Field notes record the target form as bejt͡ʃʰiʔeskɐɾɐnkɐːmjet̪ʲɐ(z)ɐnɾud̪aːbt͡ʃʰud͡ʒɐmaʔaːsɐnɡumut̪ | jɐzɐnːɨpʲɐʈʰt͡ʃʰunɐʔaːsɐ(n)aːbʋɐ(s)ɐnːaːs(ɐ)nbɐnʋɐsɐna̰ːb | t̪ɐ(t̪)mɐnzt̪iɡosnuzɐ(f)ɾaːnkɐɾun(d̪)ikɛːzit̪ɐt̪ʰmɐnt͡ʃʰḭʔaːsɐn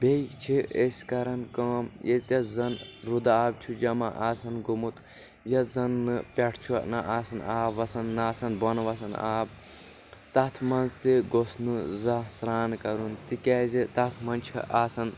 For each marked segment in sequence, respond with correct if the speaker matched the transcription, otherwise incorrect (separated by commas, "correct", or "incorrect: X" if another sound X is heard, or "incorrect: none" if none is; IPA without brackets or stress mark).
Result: correct, correct, correct, correct, incorrect: t̪ʰ, incorrect: s, incorrect: t̪